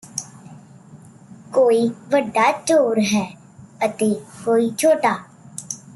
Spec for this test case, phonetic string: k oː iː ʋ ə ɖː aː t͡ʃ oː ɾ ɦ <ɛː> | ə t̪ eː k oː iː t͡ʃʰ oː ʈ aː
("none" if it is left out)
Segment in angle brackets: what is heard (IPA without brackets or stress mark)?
ɛː